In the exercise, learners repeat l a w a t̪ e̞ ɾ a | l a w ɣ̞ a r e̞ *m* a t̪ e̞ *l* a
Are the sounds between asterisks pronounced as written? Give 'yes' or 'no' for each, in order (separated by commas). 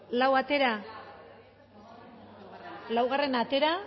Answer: no, no